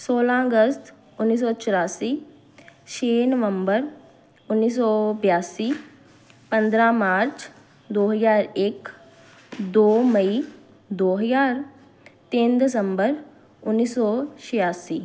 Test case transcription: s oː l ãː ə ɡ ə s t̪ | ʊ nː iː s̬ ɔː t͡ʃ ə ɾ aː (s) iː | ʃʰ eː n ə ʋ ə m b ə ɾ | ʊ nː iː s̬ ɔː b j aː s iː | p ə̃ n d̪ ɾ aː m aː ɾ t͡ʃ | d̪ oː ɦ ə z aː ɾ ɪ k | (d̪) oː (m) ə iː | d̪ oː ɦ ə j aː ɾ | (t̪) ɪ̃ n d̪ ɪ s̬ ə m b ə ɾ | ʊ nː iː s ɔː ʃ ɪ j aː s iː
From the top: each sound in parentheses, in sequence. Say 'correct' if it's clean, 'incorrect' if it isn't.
correct, correct, correct, correct

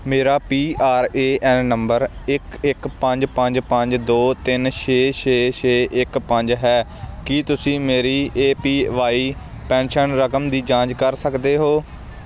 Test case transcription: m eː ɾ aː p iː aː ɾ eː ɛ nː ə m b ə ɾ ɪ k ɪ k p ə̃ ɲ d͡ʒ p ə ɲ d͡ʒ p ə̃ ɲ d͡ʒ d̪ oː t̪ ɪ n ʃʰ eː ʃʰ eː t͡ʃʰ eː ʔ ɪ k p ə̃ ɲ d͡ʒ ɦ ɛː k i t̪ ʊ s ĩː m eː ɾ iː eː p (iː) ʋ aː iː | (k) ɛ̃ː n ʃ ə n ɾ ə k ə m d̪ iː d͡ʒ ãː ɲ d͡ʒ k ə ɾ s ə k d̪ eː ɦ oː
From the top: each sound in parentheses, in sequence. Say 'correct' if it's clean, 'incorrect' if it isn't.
correct, incorrect

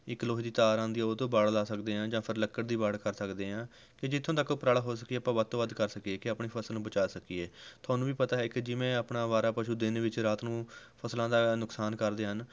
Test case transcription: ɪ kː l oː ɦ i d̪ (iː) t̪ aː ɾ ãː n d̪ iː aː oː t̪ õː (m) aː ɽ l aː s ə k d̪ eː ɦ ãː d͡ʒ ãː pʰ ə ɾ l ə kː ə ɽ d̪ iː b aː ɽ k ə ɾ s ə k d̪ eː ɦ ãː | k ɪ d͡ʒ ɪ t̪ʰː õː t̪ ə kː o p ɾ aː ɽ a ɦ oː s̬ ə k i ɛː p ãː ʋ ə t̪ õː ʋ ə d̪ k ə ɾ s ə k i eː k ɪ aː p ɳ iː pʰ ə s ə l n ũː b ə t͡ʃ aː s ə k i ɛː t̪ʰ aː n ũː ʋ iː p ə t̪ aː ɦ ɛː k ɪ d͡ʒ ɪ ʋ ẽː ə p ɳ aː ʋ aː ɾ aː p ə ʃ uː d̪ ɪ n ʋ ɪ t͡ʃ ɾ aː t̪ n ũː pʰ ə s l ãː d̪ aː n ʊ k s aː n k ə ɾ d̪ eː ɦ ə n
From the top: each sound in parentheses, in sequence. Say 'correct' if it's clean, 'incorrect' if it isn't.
correct, incorrect

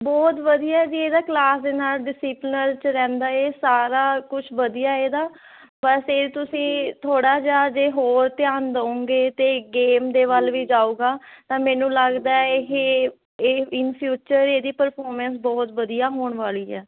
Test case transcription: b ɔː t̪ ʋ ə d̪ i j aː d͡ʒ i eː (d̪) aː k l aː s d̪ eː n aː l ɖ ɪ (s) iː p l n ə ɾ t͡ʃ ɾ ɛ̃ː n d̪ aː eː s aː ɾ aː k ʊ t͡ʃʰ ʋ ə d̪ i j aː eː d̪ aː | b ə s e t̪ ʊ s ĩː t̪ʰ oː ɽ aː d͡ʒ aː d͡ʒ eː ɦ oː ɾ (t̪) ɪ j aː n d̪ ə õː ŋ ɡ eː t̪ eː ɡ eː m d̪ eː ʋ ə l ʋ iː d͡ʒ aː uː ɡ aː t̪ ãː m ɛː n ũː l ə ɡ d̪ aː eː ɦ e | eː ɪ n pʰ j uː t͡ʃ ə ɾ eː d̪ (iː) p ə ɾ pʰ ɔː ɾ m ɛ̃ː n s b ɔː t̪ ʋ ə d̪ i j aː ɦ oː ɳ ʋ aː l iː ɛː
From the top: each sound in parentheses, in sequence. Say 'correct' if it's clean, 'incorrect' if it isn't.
correct, correct, correct, correct

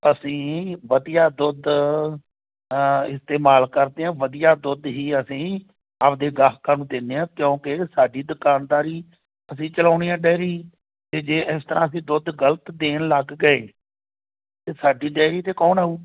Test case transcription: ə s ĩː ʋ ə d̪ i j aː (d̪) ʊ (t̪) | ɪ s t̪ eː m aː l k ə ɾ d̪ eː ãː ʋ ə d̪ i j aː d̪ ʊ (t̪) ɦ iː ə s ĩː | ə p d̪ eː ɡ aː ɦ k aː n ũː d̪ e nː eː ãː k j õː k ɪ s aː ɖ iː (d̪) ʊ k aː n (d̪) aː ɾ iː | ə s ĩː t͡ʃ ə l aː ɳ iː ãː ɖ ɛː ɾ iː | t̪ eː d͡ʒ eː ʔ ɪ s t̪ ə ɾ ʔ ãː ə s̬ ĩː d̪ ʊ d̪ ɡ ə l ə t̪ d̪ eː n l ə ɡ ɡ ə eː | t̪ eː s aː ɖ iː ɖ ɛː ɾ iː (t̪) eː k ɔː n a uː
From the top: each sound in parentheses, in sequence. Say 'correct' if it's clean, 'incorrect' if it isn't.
correct, incorrect, incorrect, correct, correct, correct

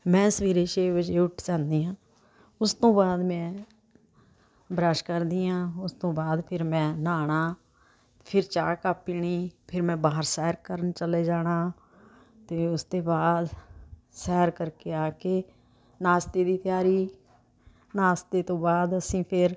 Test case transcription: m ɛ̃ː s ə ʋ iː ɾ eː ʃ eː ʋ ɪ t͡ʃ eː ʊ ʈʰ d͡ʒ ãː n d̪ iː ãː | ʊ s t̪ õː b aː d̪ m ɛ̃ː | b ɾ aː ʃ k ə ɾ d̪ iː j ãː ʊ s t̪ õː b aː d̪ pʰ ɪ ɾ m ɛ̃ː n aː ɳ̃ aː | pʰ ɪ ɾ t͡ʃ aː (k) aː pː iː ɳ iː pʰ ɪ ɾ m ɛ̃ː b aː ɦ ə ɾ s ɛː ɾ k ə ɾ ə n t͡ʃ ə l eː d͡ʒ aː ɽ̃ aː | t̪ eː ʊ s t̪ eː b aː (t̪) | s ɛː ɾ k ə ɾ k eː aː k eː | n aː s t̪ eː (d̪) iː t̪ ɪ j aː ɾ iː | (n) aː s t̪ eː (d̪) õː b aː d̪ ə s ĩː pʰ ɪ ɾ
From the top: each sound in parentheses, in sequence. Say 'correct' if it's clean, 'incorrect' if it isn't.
correct, incorrect, correct, correct, incorrect

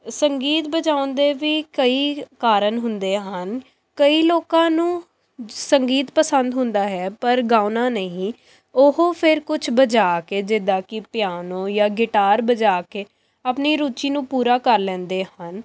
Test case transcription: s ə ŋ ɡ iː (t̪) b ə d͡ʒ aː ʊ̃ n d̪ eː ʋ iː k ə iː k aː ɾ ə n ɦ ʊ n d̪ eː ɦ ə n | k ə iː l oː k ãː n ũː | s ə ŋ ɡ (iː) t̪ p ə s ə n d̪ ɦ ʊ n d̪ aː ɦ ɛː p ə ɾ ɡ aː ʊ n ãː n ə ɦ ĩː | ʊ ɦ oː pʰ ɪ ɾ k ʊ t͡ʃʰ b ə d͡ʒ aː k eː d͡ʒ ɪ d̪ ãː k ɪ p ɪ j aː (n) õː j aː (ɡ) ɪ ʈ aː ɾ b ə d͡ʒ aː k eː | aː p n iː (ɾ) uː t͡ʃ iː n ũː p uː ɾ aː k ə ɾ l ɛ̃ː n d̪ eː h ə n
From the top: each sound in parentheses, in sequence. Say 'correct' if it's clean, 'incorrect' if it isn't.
correct, correct, correct, correct, correct

